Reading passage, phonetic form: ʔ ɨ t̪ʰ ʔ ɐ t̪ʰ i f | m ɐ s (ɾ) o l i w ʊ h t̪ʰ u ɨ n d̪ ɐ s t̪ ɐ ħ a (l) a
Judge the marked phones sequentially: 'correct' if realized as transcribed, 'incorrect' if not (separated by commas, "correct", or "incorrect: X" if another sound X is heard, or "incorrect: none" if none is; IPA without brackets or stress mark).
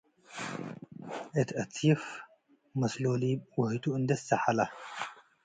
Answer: incorrect: l, correct